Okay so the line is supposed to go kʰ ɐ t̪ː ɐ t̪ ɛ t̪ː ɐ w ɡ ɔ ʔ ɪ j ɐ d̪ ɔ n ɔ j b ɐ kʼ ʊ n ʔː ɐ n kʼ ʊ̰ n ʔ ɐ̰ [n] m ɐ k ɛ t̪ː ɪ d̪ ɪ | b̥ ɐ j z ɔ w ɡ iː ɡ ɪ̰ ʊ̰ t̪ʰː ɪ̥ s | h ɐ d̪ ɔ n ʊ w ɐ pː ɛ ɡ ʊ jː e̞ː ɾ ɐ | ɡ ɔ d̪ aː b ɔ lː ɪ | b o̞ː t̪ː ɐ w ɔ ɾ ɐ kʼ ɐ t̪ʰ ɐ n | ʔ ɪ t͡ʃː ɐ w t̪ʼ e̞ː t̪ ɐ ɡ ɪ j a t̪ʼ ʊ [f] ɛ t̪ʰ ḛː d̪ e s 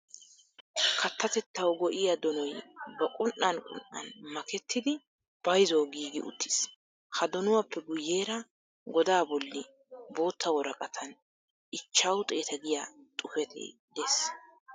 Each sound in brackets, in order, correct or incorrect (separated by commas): correct, correct